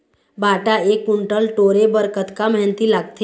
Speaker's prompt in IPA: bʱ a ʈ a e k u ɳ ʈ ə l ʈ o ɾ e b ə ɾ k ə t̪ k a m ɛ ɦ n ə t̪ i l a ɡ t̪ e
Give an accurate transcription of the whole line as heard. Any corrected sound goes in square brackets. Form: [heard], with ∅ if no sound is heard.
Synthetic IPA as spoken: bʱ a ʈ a e k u ɳ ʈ ə l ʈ o ɾ e b ə ɾ k ə t̪ k a m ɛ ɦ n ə t̪ i l a ɡ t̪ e